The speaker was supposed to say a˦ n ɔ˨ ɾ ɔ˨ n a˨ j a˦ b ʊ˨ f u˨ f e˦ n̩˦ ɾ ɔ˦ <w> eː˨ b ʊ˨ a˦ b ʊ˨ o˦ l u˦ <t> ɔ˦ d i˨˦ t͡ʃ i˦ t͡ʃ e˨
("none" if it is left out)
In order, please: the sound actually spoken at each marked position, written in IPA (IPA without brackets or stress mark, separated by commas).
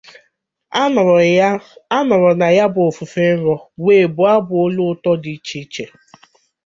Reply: w, t